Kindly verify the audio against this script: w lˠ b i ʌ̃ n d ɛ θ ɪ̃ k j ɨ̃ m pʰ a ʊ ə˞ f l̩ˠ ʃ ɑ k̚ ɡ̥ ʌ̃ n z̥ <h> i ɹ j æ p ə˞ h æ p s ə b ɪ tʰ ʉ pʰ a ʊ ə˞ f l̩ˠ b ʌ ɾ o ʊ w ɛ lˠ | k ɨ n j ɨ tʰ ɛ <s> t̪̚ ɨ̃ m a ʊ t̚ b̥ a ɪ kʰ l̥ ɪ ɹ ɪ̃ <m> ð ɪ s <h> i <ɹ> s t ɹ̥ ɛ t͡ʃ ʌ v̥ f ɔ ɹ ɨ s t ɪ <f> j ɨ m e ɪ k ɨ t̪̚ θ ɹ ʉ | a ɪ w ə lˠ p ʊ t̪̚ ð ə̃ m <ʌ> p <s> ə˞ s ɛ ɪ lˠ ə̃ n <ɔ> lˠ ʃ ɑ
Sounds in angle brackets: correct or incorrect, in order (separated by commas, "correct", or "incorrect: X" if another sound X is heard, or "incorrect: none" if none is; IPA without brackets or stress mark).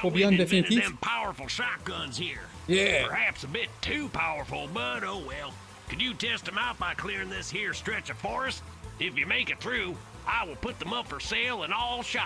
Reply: correct, correct, incorrect: ŋ, correct, correct, correct, correct, incorrect: f, correct